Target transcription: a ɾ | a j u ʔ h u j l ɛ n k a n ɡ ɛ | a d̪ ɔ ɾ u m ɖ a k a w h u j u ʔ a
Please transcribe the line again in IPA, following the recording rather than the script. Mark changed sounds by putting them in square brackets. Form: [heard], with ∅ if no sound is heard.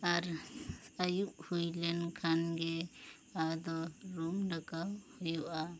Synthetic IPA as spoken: a ɾ | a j u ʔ h u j l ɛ n [kʰ] a n ɡ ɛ | a d̪ ɔ ɾ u m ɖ a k a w h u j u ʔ a

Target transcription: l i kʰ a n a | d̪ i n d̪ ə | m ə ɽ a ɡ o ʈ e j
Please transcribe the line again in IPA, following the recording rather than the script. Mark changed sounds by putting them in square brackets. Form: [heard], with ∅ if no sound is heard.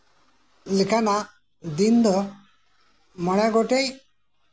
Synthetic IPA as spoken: l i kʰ a n a | d̪ i n d̪ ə | m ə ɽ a ɡ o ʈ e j

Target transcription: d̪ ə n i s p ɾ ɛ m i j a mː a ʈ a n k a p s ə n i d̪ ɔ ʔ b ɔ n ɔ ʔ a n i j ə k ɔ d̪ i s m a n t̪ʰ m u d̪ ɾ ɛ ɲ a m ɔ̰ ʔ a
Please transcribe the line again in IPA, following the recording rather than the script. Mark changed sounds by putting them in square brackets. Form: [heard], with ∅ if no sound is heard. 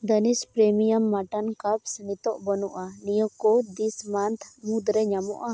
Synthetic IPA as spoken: d̪ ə n i s p ɾ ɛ m i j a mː a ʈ a n k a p s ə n i [t̪] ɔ ʔ b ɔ n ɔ ʔ a n i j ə k ɔ d̪ i s m a n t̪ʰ m u d̪ ɾ ɛ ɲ a m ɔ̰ ʔ a

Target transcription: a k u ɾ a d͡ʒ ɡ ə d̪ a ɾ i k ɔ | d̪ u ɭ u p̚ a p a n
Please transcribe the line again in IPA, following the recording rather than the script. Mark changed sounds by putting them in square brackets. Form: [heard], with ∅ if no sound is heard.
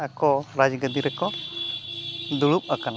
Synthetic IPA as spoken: a k [ɔ] ɾ a d͡ʒ ɡ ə d̪ [i] ɾ [ɛ] k ɔ | d̪ u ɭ u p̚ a [k] a n

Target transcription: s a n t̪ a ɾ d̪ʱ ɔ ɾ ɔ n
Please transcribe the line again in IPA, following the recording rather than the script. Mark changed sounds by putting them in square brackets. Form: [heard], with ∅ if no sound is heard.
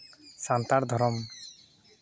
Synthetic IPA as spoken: s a n t̪ a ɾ d̪ʱ ɔ ɾ ɔ [m]

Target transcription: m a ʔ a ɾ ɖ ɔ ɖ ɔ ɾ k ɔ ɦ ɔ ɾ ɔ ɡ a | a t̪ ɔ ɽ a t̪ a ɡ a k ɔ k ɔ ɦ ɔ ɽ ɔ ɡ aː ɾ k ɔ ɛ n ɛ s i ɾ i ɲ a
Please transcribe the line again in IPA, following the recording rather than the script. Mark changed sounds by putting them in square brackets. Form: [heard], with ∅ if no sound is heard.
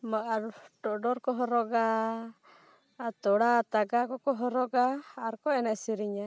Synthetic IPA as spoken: m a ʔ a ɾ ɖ ɔ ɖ ɔ ɾ k ɔ ɦ ɔ ɾ ɔ ɡ a | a t̪ ɔ ɽ a t̪ a ɡ a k ɔ k ɔ ɦ ɔ [ɾ] ɔ ɡ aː ɾ k ɔ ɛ n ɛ s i ɾ i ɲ a

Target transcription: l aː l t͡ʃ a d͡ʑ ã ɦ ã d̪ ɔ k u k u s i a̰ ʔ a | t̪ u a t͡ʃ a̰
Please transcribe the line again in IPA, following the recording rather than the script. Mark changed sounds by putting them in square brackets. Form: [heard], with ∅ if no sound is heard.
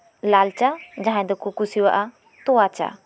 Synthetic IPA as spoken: l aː l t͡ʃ a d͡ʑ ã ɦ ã d̪ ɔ k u k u s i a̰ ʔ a | t̪ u a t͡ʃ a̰

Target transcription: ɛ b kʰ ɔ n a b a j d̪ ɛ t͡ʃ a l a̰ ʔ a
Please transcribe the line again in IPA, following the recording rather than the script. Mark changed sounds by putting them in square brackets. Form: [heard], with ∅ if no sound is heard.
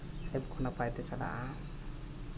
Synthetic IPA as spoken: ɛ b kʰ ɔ n a [p] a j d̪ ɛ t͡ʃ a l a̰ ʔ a

